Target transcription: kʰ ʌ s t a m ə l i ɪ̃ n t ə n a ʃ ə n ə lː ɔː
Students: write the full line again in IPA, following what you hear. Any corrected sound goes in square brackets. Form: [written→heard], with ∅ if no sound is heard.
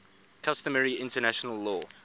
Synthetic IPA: kʰ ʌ s t [a→ə] m ə [l→ɹ] i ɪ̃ n t ə n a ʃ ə n ə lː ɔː